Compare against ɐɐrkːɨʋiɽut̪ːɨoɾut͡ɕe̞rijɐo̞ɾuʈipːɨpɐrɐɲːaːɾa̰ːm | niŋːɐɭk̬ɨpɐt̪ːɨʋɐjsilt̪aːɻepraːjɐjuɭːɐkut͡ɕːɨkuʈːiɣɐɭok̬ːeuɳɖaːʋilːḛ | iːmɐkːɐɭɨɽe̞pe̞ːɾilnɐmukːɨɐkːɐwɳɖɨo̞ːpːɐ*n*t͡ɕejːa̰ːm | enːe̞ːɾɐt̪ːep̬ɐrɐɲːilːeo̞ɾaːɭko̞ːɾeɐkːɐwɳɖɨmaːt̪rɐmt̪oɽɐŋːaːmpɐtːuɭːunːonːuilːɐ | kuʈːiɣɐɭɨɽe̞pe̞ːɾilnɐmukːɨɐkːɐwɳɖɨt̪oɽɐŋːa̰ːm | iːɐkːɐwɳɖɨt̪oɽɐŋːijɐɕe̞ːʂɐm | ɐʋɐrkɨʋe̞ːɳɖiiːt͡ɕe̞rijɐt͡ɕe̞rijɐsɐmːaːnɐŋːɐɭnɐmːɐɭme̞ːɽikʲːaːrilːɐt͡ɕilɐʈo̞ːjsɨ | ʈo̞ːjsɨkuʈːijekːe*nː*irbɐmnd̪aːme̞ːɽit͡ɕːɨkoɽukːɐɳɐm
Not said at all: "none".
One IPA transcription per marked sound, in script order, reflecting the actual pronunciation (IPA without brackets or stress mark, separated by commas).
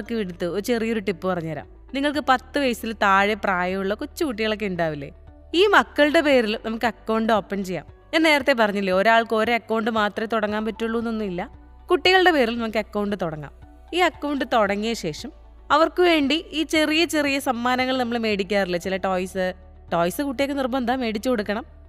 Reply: n, n